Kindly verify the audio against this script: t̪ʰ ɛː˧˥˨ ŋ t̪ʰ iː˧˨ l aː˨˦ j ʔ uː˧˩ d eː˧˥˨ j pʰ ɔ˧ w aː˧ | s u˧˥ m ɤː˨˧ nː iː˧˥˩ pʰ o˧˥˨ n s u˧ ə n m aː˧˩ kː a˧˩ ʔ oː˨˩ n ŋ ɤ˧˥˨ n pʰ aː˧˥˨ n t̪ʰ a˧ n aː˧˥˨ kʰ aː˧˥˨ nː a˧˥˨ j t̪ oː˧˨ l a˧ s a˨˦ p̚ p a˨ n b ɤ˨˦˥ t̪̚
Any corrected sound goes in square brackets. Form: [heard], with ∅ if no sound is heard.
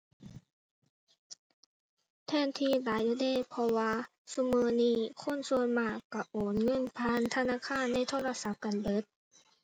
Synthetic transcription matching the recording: t̪ʰ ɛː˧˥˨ [n] t̪ʰ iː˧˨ l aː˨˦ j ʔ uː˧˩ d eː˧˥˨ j pʰ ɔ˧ w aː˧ | s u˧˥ m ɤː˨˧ [n] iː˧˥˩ [kʰ] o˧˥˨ n s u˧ ə n m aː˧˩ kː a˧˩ ʔ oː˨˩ n ŋ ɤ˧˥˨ n pʰ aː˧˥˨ n t̪ʰ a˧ n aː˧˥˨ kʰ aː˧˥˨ nː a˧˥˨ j [t̪ʰ] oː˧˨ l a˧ s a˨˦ p̚ [k] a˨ n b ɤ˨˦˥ t̪̚